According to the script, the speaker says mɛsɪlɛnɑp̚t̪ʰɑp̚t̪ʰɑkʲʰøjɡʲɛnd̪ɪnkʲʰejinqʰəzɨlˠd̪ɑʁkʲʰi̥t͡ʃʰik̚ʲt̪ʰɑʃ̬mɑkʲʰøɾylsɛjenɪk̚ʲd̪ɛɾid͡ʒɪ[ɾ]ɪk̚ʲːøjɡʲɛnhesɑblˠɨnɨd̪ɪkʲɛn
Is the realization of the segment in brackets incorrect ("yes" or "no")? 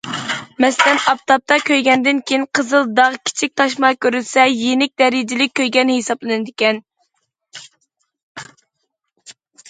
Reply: yes